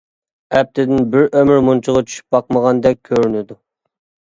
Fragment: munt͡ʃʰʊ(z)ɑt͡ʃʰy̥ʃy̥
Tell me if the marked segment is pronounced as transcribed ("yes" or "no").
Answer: no